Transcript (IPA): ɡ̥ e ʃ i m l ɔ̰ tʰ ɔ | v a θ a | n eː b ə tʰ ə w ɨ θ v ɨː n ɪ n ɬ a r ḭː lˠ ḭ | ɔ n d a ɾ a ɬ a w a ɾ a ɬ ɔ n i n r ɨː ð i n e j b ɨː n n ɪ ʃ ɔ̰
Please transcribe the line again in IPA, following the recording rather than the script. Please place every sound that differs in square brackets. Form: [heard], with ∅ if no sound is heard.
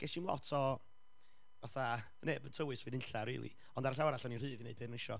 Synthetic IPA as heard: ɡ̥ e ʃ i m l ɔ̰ tʰ ɔ | v a θ a | n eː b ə tʰ ə w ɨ [s] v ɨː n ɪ n ɬ a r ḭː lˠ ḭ | ɔ n d a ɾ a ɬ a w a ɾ a ɬ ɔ n i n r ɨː ð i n e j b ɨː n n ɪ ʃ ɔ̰